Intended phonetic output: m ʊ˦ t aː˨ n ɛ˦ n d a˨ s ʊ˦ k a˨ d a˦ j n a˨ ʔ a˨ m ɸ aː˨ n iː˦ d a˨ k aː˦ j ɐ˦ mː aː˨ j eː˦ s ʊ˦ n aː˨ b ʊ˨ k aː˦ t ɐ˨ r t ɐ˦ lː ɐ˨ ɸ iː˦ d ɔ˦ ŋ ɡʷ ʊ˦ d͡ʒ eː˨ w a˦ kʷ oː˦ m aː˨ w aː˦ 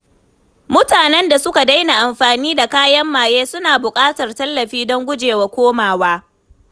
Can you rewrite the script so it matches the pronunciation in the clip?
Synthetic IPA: m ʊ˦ t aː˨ n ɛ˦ n d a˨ s ʊ˦ k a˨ d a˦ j n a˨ ʔ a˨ m ɸ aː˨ n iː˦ d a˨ k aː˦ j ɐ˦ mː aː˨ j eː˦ s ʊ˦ n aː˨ b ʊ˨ kʼ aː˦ t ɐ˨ r t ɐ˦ lː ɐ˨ ɸ iː˦ d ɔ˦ ŋ ɡʷ ʊ˦ d͡ʒ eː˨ w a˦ kʷ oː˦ m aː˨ w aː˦